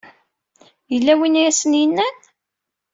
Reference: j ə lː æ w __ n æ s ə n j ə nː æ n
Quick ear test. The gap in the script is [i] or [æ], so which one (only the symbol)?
i